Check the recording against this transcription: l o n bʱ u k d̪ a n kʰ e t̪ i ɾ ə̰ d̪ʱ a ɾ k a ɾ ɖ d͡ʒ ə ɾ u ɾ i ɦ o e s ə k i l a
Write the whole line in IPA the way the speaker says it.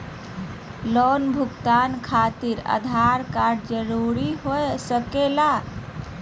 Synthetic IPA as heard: l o n bʱ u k t̪ a n kʰ a t̪ i ɾ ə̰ d̪ʱ a ɾ k a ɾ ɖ d͡ʒ ə ɾ u ɾ i ɦ o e s ə k e l a

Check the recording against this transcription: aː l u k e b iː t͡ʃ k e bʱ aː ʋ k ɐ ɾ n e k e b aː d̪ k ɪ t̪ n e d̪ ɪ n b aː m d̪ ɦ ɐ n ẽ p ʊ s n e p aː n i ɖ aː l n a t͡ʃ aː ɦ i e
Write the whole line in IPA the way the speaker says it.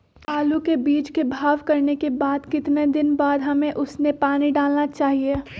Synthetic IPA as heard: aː l u k e b iː t͡ʃ k e bʱ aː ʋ k ɐ ɾ n e k e b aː d̪ k ɪ t̪ n e d̪ ɪ n b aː d̪ ɦ ɐ m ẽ ʔ ʊ s n e p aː n i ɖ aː l n a t͡ʃ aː ɦ i e

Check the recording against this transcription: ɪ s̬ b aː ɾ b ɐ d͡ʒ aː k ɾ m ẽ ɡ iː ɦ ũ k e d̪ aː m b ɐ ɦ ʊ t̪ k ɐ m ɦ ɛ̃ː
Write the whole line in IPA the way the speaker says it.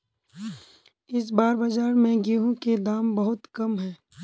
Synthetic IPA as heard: ɪ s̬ b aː ɾ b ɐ d͡ʒ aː ɾ m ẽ ɡ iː ɦ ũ k e d̪ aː m b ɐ ɦ ʊ t̪ k ɐ m ɦ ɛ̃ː

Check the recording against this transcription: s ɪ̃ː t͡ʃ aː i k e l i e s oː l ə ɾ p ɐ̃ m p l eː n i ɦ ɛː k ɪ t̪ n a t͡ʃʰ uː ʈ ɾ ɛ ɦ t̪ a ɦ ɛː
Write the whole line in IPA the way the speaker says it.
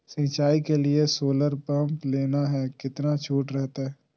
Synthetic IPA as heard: s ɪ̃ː t͡ʃ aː i k e l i e s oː l ə ɾ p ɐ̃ m p l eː n a ɦ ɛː k ɪ t̪ n a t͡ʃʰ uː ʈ ɾ ɛ ɦ t̪ a ɦ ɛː

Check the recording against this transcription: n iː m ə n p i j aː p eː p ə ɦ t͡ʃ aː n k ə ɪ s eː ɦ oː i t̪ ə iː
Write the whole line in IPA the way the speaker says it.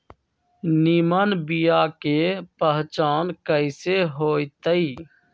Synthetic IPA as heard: n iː m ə n b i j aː k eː p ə ɦ t͡ʃ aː n k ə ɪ s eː ɦ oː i t̪ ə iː

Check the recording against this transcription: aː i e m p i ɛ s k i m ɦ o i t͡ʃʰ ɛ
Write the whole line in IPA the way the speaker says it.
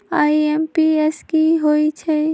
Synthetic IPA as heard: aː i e m p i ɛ s k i ɦ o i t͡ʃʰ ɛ

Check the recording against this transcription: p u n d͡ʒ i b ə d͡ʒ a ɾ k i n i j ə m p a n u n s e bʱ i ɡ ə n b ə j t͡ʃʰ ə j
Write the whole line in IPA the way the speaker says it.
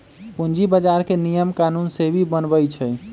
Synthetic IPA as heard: p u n d͡ʒ i b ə d͡ʒ a ɾ k e n i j ə m k a n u n s e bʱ i b ə n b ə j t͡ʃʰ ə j

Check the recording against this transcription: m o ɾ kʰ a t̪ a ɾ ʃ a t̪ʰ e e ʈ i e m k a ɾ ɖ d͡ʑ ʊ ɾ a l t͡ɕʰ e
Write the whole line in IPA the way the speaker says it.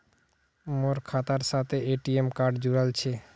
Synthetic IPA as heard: m o ɾ kʰ a t̪ a ɾ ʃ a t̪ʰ e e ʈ i e m k a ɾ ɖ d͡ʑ u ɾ a l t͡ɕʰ e

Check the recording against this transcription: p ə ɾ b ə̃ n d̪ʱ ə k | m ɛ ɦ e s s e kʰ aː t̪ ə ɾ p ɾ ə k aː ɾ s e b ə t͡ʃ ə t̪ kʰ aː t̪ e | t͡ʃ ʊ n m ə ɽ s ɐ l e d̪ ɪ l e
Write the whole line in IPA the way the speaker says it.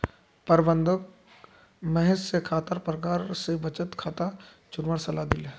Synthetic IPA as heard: p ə ɾ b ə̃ n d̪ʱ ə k | m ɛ ɦ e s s e kʰ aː t̪ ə ɾ p ɾ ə k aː ɾ s e b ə t͡ʃ ə t̪ kʰ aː t̪ a | t͡ʃ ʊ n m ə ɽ s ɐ l a d̪ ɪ l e

